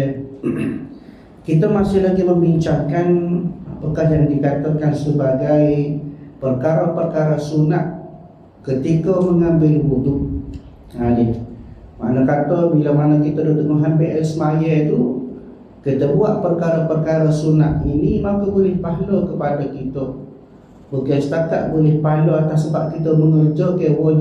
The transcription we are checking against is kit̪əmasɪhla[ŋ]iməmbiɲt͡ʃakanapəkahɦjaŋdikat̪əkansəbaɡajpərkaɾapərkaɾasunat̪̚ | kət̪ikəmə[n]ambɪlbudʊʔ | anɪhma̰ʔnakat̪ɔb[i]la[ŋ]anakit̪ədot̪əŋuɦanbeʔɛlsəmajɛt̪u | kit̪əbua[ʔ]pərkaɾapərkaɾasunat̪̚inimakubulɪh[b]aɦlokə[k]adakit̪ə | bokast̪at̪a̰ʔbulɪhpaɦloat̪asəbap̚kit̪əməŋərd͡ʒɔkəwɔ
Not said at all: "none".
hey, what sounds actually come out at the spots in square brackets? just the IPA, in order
ɡ, ŋ, i, m, ʔ, p, p

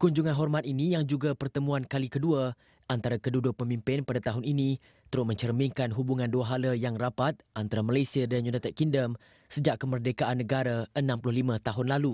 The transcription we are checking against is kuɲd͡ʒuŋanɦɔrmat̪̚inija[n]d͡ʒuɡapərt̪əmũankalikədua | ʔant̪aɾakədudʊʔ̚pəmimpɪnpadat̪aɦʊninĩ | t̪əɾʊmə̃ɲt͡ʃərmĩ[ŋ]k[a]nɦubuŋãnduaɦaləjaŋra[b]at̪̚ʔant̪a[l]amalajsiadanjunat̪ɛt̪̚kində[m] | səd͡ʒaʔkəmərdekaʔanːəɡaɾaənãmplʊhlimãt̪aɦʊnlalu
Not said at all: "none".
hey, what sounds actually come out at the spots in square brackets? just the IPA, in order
ŋ, ŋ, a, p, ɾ, m

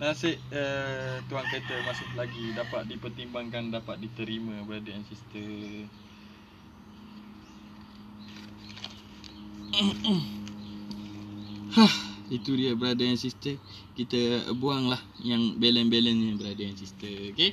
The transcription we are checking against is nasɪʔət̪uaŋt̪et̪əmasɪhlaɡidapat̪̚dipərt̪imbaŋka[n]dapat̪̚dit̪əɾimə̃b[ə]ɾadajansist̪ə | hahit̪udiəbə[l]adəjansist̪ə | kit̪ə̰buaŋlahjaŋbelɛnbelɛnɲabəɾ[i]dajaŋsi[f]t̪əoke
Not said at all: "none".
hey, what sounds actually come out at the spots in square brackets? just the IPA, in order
n, ə, ɾ, a, s

